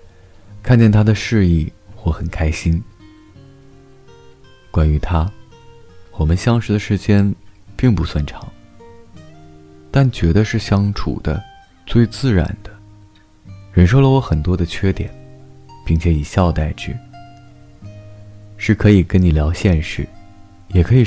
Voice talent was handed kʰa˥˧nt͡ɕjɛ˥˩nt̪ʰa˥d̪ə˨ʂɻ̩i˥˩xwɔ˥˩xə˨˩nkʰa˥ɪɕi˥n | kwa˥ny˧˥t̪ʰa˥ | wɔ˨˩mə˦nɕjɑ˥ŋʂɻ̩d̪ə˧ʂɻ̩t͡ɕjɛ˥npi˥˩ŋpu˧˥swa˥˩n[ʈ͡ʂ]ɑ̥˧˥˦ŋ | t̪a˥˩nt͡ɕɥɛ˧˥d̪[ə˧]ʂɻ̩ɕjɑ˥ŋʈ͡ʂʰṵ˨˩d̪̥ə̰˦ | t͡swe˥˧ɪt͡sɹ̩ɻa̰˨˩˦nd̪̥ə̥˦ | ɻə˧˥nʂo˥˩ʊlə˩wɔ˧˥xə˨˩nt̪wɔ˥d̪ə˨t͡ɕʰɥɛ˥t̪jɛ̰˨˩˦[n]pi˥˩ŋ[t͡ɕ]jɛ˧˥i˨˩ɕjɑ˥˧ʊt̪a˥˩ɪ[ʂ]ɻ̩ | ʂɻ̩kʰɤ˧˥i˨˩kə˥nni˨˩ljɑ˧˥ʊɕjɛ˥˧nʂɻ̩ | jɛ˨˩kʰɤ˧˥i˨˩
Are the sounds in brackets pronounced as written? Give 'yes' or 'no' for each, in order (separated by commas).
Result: no, yes, yes, no, no